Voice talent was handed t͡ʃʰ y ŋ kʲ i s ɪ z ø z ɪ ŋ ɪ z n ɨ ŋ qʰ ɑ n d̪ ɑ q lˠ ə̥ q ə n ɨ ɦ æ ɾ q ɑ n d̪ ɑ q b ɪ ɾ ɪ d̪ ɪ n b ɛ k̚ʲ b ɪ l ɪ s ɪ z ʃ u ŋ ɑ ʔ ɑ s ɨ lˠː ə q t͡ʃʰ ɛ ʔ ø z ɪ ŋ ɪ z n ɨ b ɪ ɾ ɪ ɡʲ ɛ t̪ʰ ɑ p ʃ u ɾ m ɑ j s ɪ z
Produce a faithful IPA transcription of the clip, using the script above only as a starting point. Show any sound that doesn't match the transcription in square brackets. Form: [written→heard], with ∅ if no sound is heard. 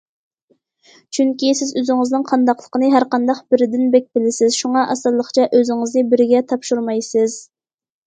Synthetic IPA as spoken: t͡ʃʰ y ŋ kʲ i s ɪ z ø z ɪ ŋ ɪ z n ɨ ŋ qʰ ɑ n d̪ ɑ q lˠ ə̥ q ə n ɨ ɦ æ ɾ q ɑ n d̪ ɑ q b ɪ ɾ ɪ d̪ ɪ n b ɛ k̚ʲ b ɪ l ɪ s ɪ z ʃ u ŋ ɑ ʔ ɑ s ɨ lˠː ə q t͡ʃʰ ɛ ʔ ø z ɪ ŋ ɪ z n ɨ b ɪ ɾ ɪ ɡʲ ɛ t̪ʰ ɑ p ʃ u ɾ m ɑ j s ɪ z